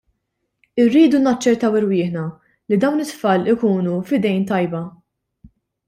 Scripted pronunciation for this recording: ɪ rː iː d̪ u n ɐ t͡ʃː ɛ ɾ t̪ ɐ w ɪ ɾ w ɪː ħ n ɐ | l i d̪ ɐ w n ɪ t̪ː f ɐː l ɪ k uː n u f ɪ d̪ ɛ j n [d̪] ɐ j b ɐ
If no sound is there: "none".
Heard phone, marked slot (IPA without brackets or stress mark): t̪